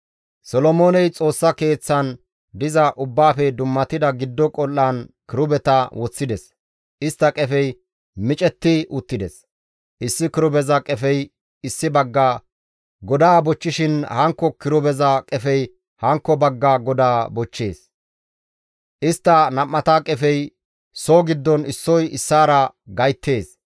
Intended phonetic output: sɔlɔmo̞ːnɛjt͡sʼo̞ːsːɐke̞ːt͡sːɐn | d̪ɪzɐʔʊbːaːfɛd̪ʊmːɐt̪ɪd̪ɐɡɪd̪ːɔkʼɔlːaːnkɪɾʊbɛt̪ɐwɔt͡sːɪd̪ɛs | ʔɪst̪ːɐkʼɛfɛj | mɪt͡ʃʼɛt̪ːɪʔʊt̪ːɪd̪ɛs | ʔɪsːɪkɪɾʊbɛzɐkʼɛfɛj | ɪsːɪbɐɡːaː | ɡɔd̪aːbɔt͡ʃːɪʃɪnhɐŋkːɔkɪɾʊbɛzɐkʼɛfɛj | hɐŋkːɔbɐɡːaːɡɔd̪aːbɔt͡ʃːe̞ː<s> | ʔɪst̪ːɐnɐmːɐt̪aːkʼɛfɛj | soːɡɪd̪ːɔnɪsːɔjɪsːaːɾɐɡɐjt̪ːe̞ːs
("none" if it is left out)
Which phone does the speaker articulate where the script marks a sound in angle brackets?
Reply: s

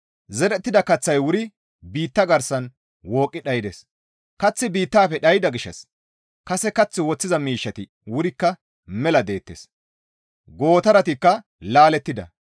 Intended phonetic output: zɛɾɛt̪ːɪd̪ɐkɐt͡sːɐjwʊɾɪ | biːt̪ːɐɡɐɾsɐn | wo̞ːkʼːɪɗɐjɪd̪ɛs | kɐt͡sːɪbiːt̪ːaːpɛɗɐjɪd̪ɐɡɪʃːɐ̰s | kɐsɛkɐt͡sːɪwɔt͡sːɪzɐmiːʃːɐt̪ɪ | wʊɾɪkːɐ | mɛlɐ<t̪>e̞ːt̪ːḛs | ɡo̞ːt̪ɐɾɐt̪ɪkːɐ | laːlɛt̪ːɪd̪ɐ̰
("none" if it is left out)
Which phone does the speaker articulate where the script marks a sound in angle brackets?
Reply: d̪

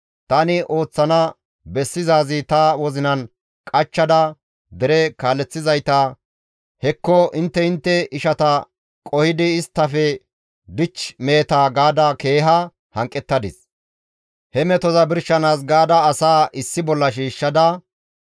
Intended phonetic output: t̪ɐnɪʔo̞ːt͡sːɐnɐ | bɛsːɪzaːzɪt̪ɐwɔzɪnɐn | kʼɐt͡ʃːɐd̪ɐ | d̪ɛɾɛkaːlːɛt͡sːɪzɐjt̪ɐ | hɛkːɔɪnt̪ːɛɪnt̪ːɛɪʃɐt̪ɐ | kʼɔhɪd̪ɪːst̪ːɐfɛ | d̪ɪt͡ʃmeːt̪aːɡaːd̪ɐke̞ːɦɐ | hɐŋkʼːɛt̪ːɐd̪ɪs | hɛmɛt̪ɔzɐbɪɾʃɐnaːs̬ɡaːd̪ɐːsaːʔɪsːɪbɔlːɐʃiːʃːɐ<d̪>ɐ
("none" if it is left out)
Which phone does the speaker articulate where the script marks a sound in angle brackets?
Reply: d̪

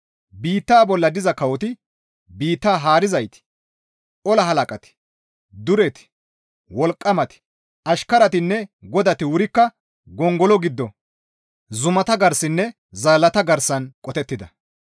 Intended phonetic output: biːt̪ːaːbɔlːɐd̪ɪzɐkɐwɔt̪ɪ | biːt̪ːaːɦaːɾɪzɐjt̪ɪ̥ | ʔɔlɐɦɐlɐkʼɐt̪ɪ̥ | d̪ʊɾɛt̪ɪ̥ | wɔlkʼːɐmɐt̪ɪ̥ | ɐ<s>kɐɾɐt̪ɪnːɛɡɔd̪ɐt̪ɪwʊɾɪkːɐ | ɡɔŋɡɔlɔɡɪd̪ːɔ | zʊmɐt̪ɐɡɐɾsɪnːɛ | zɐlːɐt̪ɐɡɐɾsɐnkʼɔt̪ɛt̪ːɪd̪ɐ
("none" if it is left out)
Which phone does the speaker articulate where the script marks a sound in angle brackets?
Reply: ʃ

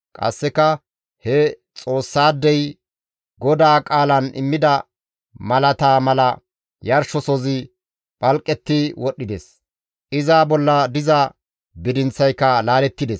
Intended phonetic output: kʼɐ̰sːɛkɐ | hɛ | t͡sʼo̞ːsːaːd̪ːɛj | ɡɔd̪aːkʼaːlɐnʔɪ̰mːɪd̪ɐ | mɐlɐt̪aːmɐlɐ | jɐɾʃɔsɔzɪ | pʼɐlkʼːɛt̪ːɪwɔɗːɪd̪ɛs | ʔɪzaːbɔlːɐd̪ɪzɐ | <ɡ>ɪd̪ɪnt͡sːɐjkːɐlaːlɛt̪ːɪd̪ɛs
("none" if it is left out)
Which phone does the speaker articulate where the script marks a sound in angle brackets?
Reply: b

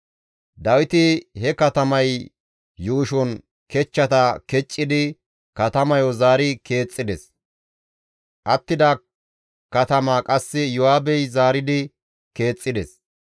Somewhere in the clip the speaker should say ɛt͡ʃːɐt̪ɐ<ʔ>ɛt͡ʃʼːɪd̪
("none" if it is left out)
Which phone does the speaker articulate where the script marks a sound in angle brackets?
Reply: k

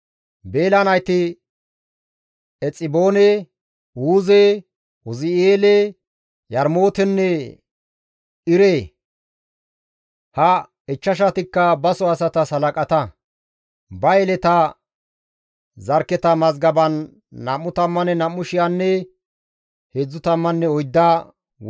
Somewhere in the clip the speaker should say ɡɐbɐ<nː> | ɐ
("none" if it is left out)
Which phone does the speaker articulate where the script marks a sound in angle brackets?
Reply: nː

